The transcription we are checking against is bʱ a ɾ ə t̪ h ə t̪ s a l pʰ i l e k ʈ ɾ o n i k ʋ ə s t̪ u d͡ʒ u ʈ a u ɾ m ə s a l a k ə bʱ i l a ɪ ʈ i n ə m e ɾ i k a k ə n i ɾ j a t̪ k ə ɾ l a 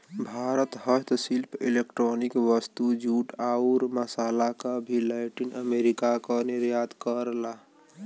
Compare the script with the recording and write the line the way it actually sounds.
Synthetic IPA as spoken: bʱ a ɾ ə t̪ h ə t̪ s i l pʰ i l e k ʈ ɾ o n i k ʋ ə s t̪ u d͡ʒ u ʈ a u ɾ m ə s a l a k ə bʱ i l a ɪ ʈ i n ə m e ɾ i k a k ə n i ɾ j a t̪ k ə ɾ l a